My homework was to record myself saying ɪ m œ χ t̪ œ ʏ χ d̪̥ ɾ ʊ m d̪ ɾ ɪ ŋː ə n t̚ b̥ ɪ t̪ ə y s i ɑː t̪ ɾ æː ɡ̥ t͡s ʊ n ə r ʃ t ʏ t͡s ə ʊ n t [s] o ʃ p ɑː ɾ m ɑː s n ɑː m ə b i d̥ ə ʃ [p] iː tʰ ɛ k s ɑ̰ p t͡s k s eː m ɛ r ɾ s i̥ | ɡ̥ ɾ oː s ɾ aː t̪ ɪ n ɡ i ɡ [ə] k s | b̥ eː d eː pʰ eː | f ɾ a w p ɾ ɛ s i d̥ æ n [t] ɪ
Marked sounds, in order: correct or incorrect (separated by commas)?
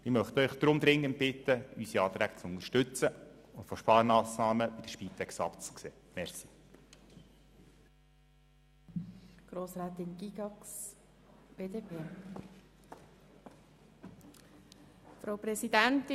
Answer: incorrect, correct, incorrect, correct